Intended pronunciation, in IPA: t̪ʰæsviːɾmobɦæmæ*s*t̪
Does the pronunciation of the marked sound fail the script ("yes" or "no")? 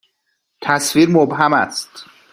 no